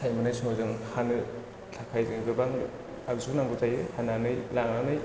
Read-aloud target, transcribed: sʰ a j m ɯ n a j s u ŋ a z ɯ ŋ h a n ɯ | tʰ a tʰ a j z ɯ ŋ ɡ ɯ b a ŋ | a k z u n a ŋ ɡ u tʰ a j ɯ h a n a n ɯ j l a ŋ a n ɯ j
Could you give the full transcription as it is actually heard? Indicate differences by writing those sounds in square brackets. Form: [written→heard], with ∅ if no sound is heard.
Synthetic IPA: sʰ a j m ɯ n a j s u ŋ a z ɯ ŋ h a n ɯ | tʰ a [tʰ→kʰ] a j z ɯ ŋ ɡ ɯ b a ŋ | a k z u n a ŋ ɡ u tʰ a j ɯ h a n a n ɯ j l a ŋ a n ɯ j